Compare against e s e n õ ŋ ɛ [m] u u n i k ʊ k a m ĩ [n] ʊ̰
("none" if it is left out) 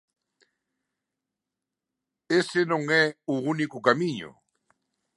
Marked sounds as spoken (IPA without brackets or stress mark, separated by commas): none, ɲ